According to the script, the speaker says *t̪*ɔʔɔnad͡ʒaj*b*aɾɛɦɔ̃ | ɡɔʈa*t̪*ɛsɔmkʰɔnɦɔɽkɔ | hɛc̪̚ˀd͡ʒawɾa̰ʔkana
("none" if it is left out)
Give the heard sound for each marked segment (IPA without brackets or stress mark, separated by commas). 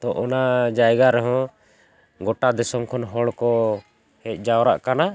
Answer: t̪, ɡ, d̪